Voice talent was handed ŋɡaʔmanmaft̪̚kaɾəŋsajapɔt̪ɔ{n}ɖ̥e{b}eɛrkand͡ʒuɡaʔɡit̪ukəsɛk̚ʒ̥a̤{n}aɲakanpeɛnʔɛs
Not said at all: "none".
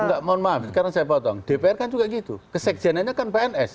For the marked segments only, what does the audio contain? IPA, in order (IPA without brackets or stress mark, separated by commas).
ŋ, p, n